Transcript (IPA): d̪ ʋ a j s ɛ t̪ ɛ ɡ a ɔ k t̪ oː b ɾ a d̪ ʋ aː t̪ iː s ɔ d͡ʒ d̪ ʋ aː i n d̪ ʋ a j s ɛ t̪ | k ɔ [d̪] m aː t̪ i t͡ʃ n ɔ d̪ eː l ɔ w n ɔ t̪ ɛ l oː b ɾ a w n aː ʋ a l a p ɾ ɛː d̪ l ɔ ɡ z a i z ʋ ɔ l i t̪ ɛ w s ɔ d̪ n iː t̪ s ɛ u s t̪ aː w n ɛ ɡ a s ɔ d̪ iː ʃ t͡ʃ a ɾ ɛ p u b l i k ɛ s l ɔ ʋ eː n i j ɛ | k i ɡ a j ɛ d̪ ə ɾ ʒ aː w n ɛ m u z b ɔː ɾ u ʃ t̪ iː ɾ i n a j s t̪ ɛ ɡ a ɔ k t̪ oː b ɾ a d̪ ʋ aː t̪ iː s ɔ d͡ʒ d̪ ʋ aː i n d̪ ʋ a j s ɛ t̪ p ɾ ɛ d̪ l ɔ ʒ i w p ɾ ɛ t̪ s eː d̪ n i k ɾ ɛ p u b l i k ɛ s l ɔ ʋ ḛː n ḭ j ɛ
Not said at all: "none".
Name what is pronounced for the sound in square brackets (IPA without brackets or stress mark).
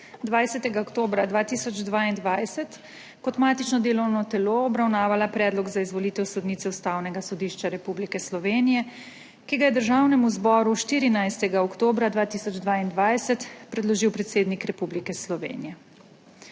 t̪